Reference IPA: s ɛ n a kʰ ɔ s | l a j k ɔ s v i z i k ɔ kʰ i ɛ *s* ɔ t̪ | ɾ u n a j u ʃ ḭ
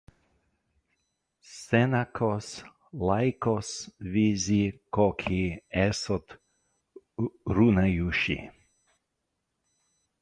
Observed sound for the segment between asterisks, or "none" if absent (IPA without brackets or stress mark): s